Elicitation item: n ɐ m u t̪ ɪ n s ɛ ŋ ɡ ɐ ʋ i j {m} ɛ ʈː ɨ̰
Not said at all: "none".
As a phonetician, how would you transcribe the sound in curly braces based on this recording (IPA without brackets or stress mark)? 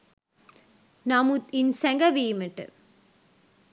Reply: m